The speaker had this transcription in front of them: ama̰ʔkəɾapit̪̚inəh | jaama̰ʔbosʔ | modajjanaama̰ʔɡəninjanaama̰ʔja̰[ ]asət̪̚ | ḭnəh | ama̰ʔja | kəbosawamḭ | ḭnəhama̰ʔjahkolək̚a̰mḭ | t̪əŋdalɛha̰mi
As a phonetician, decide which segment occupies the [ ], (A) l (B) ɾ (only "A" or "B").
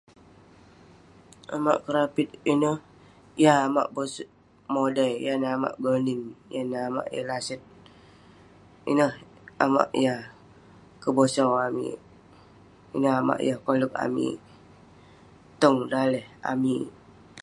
A